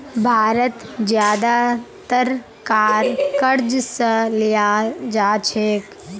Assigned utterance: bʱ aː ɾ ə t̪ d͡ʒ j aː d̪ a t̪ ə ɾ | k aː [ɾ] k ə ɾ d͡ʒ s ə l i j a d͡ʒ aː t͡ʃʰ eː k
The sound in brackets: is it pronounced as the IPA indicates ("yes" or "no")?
yes